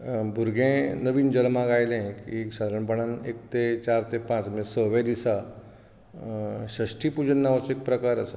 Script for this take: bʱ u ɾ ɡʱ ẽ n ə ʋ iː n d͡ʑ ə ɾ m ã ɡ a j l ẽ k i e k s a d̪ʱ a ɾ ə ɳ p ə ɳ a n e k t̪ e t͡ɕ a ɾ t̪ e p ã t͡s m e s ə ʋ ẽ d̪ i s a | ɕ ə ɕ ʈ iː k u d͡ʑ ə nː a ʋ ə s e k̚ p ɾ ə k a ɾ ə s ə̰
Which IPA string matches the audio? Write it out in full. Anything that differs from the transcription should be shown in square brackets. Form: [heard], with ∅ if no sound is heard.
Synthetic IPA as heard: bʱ u ɾ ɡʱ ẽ n ə ʋ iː n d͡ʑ ə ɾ m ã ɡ a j l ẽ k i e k s a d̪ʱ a ɾ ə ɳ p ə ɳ a n e k t̪ e t͡ɕ a ɾ t̪ e p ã t͡s m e s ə ʋ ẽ d̪ i s a | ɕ ə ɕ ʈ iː [p] u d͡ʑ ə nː a ʋ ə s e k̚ p ɾ ə k a ɾ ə s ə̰